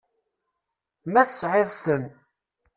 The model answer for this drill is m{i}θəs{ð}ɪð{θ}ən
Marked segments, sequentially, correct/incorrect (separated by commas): incorrect, incorrect, correct